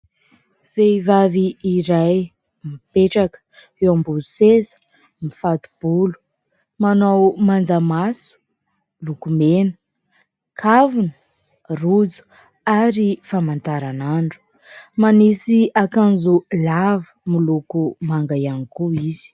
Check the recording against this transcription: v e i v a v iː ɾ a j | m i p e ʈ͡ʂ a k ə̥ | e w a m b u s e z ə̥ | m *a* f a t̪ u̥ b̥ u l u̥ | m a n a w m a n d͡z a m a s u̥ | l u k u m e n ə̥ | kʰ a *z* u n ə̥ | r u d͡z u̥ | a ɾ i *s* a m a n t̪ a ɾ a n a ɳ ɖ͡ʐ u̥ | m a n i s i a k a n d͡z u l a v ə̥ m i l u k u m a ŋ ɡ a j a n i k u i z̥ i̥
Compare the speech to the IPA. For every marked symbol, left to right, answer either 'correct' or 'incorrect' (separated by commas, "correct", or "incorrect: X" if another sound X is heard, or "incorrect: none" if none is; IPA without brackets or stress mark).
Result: incorrect: i, incorrect: v, incorrect: f